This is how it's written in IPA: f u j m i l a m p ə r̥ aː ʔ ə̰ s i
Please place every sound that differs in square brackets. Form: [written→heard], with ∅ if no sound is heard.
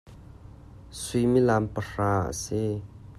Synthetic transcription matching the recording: [f→s] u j m i l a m p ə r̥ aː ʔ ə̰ s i

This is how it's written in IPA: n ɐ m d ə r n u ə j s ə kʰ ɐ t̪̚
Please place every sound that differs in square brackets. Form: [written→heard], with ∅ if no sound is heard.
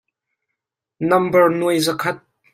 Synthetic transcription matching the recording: n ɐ m [d→b] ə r n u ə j [s→z] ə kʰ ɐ t̪̚

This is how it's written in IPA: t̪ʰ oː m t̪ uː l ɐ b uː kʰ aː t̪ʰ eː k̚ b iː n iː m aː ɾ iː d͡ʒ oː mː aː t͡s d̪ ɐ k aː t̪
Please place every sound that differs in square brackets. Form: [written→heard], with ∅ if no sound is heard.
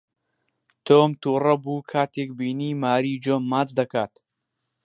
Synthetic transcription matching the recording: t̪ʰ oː m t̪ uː [l→r] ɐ b uː kʰ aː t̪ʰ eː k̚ b iː n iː m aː ɾ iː d͡ʒ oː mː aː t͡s d̪ ɐ k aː t̪

